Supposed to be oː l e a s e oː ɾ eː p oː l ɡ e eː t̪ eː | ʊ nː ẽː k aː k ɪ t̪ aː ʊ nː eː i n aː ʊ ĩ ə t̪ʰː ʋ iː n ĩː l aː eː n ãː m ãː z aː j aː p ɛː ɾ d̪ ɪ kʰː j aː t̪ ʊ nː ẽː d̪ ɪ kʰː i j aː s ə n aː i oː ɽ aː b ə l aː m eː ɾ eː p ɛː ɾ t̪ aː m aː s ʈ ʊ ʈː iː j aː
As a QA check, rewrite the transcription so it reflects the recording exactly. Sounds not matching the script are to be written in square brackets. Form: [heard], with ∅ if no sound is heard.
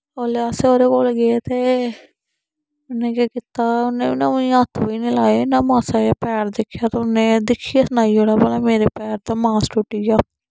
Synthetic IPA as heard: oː l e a s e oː ɾ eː [k] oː l ɡ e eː t̪ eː | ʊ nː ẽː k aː k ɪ t̪ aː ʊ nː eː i n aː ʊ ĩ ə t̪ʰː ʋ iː n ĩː l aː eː n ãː m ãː [s] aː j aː p ɛː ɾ d̪ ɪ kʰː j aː t̪ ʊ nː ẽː d̪ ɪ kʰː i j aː s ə n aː i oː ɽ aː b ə l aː m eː ɾ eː p ɛː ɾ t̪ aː m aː s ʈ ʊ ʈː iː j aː